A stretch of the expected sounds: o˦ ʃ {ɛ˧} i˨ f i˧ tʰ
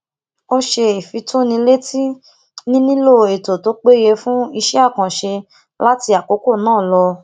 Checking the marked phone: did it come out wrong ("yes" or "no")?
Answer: yes